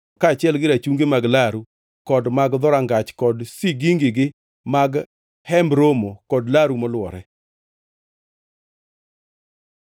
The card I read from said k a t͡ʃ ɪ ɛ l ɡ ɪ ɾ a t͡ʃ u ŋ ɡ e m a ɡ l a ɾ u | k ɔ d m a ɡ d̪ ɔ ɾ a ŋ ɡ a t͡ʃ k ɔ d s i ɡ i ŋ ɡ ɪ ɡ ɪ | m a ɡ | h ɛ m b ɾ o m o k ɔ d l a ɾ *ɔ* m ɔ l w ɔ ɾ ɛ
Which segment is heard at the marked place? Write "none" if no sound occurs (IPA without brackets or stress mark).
u